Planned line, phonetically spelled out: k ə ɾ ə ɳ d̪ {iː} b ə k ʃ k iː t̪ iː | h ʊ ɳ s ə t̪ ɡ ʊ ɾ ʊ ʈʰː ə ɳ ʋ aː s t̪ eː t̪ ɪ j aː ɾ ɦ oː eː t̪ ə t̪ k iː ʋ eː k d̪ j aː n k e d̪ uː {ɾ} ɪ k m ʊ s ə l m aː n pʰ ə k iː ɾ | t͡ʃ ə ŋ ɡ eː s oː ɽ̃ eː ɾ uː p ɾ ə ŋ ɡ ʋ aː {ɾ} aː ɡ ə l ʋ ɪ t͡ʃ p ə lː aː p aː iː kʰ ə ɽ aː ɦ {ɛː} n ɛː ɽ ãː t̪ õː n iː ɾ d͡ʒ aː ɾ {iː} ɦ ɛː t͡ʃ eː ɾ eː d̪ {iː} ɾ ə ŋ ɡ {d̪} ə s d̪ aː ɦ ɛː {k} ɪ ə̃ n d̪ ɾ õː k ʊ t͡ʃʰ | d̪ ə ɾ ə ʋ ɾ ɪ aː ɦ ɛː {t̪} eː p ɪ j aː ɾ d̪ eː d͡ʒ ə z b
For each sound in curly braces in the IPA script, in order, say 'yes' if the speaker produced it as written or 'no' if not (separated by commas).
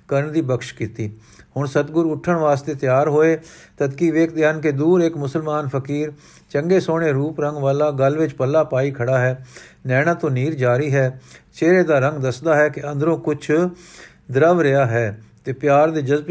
yes, yes, no, yes, yes, no, yes, yes, yes